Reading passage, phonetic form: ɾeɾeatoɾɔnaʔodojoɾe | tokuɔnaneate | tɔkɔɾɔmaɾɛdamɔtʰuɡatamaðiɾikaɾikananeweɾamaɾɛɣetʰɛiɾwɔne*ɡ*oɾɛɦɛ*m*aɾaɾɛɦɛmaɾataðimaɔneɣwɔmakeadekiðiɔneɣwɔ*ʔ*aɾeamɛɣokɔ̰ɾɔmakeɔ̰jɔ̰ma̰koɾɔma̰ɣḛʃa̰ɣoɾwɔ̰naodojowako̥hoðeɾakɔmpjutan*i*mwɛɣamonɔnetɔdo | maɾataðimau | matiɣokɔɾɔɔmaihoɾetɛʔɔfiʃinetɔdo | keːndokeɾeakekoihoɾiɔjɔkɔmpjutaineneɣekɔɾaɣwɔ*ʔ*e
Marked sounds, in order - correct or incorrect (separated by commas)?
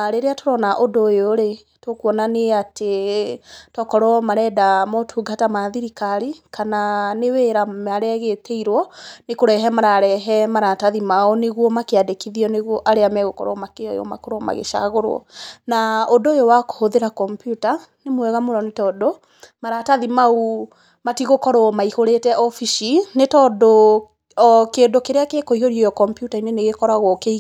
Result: incorrect, correct, correct, incorrect, incorrect